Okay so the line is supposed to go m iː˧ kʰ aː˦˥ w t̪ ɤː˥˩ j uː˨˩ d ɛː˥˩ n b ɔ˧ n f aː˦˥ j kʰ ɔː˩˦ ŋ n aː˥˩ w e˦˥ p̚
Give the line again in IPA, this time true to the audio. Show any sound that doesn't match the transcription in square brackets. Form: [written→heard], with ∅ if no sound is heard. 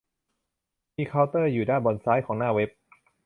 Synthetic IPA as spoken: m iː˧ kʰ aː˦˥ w t̪ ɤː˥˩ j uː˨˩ d [ɛː˥˩→aː˥˩] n b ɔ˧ n [f→s] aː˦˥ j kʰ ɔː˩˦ ŋ n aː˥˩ w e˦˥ p̚